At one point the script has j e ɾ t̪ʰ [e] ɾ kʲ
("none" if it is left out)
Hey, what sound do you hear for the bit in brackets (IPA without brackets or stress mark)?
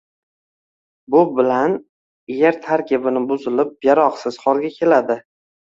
a